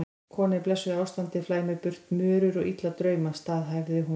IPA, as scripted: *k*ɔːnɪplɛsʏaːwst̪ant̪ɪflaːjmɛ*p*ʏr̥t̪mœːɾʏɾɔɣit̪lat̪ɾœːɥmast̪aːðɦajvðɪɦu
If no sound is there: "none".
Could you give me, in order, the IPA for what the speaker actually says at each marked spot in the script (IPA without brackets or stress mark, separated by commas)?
kʰ, p